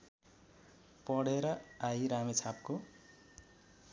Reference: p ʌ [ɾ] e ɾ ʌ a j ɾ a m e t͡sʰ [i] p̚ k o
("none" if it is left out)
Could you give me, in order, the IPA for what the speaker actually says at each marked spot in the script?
ɽ, a

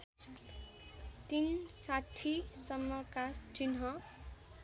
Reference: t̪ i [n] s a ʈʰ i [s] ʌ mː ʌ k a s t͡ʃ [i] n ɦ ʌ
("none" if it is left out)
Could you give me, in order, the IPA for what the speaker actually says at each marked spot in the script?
n, s, i

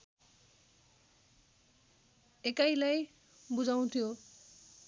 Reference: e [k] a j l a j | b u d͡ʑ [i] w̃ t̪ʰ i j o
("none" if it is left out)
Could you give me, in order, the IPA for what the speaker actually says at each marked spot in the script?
k, a

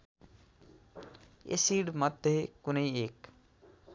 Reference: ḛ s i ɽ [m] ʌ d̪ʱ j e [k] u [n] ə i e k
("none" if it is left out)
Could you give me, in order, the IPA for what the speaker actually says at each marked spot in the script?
m, k, n

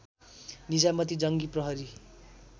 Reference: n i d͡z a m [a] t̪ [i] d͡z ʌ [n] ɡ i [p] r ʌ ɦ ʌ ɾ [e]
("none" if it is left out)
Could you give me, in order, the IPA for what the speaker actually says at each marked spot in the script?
ʌ, i, ŋ, p, i

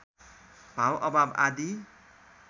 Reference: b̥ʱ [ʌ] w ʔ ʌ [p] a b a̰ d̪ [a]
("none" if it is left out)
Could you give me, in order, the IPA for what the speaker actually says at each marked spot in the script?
a, b, i

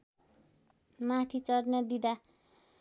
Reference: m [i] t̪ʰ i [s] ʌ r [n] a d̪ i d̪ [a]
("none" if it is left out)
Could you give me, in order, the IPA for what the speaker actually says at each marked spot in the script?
a, t͡s, n, a

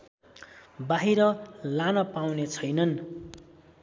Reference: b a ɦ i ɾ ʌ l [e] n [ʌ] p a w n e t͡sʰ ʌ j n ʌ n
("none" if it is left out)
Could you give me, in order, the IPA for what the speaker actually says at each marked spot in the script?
a, ʌ

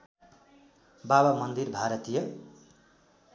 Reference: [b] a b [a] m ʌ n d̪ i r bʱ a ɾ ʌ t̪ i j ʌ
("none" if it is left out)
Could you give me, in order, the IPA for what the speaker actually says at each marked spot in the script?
b, a

